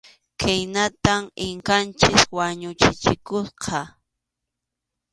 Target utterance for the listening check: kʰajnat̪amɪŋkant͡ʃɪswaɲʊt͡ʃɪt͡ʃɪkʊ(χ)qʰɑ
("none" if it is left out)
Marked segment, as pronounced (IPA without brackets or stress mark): s